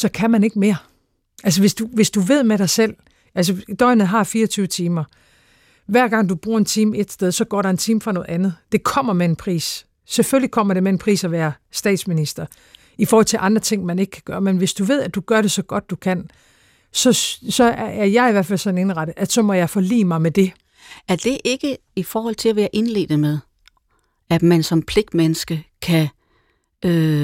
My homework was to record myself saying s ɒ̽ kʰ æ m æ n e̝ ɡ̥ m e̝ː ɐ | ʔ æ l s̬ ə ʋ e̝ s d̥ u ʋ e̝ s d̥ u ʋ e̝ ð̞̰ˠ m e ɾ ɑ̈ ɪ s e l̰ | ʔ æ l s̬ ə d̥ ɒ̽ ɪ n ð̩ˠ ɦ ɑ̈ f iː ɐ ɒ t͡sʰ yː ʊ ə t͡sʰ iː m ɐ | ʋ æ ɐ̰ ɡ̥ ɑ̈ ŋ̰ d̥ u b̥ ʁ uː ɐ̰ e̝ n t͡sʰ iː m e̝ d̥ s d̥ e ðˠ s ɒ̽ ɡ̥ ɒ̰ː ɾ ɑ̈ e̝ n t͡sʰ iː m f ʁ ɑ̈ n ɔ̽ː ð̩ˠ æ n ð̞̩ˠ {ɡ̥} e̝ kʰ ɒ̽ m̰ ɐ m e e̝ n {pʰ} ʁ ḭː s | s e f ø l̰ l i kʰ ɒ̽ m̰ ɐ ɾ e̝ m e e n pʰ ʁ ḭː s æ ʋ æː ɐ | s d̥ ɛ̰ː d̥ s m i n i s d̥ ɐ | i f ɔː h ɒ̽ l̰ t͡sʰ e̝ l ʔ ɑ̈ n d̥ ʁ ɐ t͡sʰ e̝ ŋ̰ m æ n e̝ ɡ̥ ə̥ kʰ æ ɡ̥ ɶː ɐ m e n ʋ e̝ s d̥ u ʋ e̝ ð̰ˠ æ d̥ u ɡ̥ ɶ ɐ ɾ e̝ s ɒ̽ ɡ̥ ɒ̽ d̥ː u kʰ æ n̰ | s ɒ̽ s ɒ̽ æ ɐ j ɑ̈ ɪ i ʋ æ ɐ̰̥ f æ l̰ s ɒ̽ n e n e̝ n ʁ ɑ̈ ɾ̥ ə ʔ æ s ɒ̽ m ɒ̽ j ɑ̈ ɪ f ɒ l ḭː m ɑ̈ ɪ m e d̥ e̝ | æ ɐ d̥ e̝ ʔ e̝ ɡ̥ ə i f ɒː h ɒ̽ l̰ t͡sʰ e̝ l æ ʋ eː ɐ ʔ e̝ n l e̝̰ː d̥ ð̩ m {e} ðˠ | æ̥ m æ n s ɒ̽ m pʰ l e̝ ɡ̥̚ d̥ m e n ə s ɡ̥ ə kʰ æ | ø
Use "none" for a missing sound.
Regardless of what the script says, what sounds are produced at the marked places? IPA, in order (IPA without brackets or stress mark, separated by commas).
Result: d̥, pʰ, e